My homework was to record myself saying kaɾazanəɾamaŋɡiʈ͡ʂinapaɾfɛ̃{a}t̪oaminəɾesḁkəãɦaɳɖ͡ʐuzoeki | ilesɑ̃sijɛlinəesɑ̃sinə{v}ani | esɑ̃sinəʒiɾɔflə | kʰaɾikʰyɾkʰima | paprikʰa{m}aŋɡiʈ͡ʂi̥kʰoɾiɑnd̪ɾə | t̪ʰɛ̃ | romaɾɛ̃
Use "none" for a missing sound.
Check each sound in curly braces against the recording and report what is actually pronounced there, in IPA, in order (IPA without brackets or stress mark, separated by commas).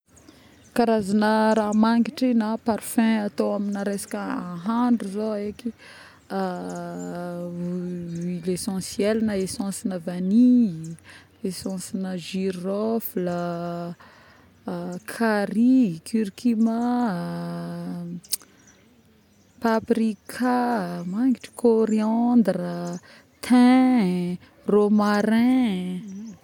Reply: a, v, m